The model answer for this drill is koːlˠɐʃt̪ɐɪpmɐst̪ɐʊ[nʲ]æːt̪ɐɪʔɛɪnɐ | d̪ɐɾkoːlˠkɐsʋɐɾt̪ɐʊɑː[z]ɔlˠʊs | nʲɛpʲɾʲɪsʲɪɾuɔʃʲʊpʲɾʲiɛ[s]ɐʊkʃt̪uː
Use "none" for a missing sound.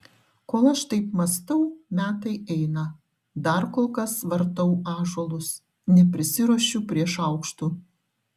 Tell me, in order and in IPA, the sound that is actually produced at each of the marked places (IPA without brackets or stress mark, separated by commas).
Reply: mʲ, ʒ, ʃ